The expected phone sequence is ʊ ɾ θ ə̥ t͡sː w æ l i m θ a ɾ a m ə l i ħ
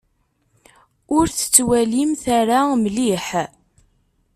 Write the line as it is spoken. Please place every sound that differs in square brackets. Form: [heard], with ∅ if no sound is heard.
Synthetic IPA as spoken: ʊ ɾ θ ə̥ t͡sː w æ l i m θ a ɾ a m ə l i ħ